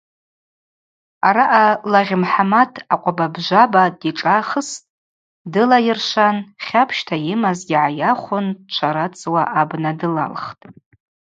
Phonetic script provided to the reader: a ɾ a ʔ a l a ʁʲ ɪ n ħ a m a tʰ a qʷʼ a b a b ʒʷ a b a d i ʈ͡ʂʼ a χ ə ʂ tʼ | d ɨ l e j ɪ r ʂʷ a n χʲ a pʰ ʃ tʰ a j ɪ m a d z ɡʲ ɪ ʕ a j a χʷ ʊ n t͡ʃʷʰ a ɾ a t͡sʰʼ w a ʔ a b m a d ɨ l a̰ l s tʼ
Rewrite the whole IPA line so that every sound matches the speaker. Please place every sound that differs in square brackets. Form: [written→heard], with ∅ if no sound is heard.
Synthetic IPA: a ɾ a ʔ a l a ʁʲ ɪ [n→m] ħ a m a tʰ a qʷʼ a b a b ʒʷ a b a d i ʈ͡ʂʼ a χ ə [ʂ→s] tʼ | d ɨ l [e→a] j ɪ r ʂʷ a n χʲ a pʰ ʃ tʰ a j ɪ m a [d→∅] z ɡʲ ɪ ʕ a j a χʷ ʊ n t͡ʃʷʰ a ɾ a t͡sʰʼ w a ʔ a b [m→n] a d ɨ l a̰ l [s→χ] tʼ